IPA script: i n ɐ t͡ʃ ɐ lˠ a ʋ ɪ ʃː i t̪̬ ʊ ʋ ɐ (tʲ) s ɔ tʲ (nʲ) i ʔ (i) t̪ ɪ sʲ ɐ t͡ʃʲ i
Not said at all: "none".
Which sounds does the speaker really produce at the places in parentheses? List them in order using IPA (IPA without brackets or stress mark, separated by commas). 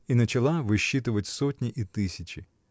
tʲ, nʲ, i